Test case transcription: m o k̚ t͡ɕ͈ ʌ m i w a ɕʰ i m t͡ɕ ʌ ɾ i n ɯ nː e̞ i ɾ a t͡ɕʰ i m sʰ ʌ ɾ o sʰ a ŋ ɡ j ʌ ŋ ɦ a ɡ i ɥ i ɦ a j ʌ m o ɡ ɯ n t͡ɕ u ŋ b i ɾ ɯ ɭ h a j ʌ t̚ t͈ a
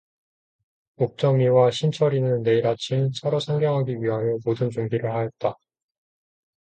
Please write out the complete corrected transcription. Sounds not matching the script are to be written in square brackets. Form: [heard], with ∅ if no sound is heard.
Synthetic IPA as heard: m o k̚ t͡ɕ͈ ʌ m i w a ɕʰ i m [t͡ɕʰ] ʌ ɾ i n ɯ nː e̞ i ɾ a t͡ɕʰ i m sʰ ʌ ɾ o sʰ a ŋ ɡ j ʌ ŋ ɦ a ɡ i ɥ i ɦ a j ʌ m o [d] ɯ n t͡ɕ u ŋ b i ɾ ɯ ɭ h a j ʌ t̚ t͈ a